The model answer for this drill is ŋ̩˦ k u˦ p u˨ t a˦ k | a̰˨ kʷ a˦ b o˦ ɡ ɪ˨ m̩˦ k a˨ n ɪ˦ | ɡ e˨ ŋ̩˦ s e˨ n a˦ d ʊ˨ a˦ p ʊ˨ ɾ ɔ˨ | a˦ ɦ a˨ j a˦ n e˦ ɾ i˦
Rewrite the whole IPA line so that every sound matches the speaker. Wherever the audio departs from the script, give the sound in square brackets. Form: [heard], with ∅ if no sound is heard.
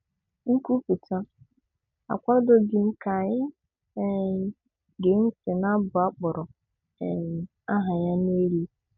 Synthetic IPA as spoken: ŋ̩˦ k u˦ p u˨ t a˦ [∅] | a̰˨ kʷ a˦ [d] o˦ ɡ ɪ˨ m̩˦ k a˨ [ɲ] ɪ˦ | ɡ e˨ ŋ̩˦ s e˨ n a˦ [b] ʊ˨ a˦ [k͡p] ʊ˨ ɾ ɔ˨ | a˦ ɦ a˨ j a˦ n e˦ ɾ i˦